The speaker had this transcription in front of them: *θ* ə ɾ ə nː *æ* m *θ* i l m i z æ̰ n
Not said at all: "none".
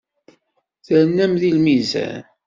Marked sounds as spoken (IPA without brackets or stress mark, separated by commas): θ, æ, ð